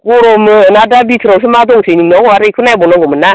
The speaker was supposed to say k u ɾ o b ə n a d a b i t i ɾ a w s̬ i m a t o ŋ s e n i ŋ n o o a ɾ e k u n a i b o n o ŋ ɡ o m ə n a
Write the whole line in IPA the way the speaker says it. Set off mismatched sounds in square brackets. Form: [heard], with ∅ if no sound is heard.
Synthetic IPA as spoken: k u ɾ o [m] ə n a d a b i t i ɾ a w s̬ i m a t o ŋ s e n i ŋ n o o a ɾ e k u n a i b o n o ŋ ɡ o m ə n a